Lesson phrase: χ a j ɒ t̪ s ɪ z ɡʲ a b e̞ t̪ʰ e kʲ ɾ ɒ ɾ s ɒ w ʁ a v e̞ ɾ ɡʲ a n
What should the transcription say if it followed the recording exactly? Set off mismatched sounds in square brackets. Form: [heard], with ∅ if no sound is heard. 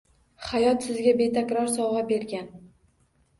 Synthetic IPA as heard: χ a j ɒ t̪ s ɪ z ɡʲ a b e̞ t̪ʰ [a] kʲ ɾ ɒ ɾ s ɒ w ʁ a [b] e̞ ɾ ɡʲ a n